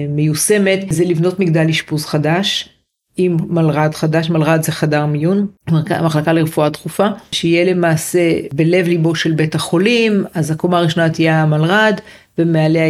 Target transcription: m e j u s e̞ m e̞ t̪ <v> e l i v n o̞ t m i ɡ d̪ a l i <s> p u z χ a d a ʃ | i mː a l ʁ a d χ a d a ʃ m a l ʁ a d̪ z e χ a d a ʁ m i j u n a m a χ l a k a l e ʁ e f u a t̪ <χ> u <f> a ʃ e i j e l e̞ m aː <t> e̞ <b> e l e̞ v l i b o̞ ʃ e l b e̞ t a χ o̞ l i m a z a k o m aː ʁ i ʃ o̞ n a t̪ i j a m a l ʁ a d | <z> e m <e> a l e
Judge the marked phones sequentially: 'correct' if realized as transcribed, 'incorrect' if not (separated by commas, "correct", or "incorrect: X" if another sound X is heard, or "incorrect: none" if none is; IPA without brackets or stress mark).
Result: incorrect: z, incorrect: ʃ, correct, correct, incorrect: s, correct, incorrect: v, correct